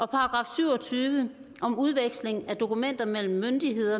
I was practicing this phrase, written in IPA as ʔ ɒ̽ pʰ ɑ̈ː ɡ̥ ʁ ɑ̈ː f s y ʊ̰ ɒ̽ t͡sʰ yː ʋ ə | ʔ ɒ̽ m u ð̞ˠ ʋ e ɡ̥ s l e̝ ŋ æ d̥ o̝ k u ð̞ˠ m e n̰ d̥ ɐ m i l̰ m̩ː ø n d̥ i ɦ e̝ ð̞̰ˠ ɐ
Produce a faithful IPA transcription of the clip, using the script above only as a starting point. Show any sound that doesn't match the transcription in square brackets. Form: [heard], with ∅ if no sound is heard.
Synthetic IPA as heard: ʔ ɒ̽ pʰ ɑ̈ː ɡ̥ ʁ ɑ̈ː f s y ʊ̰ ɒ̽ t͡sʰ yː ʋ ə | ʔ ɒ̽ m u ð̞ˠ ʋ e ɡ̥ s l e̝ ŋ æ d̥ o̝ k u [∅] m e n̰ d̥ ɐ m [e] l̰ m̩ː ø n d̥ i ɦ e̝ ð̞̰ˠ ɐ